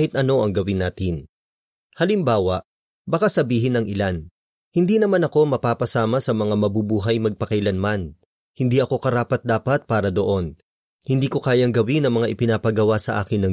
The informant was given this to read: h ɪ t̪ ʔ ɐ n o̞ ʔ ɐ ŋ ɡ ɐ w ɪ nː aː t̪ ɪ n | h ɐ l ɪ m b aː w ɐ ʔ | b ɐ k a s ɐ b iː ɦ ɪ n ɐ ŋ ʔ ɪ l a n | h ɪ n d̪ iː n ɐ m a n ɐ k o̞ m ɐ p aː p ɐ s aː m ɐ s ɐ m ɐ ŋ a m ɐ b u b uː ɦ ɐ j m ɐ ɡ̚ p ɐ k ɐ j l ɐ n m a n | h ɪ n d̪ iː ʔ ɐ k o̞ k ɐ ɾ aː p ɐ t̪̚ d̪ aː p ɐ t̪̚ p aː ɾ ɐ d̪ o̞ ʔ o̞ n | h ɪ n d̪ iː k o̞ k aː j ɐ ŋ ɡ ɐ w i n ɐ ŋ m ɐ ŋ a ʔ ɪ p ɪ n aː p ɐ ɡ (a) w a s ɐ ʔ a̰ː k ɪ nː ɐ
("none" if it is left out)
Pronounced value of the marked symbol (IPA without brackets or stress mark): ɐ